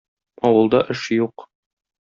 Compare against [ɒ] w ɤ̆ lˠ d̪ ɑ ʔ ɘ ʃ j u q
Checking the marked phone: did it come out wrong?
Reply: no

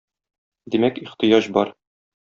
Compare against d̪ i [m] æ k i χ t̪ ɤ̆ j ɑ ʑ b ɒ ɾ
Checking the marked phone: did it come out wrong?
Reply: no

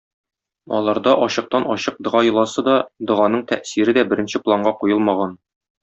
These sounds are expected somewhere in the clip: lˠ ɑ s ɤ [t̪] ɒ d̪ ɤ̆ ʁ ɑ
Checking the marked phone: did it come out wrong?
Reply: yes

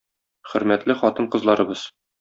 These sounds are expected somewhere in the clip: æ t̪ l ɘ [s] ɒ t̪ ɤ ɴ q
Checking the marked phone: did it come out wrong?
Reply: yes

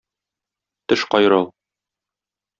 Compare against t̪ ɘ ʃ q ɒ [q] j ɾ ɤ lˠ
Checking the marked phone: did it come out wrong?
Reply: yes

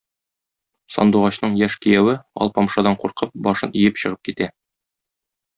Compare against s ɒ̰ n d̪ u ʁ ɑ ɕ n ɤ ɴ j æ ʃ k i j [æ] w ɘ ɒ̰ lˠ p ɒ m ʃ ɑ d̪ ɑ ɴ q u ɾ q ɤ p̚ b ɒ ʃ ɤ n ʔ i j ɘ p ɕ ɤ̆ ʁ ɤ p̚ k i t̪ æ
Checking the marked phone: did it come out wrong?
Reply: no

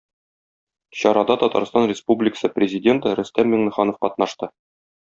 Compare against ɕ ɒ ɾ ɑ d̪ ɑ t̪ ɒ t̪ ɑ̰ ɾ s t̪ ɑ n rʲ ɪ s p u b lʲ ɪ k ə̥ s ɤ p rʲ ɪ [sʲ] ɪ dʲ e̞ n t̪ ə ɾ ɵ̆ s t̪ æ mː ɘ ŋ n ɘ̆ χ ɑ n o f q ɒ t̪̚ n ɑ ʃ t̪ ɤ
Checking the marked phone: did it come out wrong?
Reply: yes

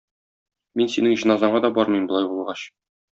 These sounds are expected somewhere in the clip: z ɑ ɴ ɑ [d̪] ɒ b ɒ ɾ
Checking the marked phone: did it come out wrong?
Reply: no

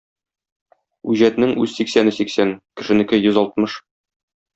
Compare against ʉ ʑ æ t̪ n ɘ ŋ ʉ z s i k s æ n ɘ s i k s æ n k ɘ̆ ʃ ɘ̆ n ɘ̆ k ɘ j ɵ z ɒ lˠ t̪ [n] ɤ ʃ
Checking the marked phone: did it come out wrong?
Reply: yes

